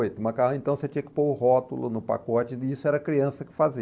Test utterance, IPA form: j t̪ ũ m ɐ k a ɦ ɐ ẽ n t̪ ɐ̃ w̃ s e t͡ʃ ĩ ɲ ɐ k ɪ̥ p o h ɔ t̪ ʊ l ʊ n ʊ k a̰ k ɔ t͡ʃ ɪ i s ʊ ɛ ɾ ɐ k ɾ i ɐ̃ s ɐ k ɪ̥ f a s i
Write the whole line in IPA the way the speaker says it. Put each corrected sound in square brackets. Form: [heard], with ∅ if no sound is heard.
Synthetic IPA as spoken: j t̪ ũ m ɐ k a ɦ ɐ ẽ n t̪ ɐ̃ w̃ s e t͡ʃ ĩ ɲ ɐ k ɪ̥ p o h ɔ t̪ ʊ l ʊ n ʊ [p] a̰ k ɔ t͡ʃ ɪ i s ʊ ɛ ɾ ɐ k ɾ i ɐ̃ s ɐ k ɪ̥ f a [z] i